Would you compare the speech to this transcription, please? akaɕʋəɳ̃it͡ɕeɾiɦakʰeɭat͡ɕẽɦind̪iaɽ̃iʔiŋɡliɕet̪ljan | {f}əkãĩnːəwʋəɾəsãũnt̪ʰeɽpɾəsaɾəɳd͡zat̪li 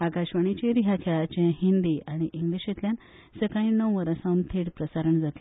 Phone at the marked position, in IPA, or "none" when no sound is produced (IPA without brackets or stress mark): s